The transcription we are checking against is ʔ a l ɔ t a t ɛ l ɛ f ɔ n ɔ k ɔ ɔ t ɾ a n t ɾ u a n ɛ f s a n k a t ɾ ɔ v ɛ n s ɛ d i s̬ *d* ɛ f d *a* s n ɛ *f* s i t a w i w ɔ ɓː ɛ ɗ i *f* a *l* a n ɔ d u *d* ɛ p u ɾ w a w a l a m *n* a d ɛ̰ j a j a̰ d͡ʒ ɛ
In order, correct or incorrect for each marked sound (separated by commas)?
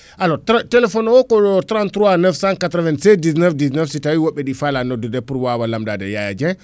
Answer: incorrect, incorrect, correct, correct, correct, correct, incorrect